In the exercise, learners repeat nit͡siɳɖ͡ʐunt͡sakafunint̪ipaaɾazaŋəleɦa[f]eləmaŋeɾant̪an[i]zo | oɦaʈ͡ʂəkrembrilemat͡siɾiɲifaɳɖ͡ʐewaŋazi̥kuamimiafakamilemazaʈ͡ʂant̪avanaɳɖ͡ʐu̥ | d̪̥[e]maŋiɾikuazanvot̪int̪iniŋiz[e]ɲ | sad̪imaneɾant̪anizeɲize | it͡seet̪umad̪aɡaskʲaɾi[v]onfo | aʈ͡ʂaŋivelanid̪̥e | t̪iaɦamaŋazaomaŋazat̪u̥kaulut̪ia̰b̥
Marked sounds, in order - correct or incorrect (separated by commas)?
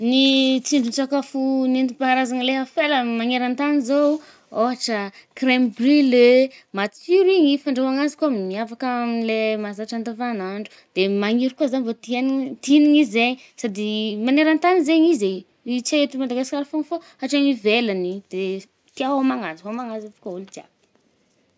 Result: correct, correct, correct, correct, incorrect